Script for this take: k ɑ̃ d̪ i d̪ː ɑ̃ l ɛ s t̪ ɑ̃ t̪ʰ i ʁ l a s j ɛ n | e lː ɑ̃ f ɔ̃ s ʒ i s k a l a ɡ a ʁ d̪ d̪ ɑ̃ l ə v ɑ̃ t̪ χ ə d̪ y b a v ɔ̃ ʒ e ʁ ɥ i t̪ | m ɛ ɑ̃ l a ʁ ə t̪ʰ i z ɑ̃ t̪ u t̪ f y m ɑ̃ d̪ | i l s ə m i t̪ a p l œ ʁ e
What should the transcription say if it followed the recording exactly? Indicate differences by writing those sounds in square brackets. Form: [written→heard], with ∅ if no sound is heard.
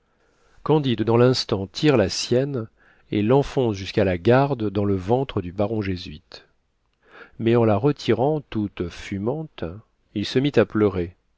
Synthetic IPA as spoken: k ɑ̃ d̪ i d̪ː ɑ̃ l [ɛ→ɛ̃] s t̪ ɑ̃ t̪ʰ i ʁ l a s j ɛ n | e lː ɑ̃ f ɔ̃ s ʒ [i→y] s k a l a ɡ a ʁ d̪ d̪ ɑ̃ l ə v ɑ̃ t̪ χ ə d̪ y b a [v→ʁ] ɔ̃ ʒ e [ʁ→z] ɥ i t̪ | m ɛ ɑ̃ l a ʁ ə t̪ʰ i [z→ʁ] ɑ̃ t̪ u t̪ f y m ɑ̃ [d̪→t̪] | i l s ə m i t̪ a p l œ ʁ e